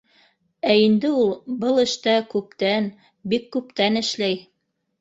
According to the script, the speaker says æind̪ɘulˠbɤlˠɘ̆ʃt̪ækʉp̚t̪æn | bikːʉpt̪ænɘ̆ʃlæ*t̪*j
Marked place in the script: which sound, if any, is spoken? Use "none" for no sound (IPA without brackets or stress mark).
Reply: none